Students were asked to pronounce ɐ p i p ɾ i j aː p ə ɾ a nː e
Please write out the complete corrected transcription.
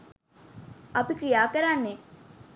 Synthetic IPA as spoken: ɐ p i k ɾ i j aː k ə ɾ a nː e